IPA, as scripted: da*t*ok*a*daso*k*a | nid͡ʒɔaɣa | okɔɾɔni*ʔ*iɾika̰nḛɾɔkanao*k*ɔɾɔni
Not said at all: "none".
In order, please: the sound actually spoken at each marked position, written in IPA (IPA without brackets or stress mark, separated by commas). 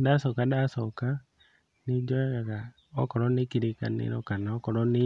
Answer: s, a, k, k, k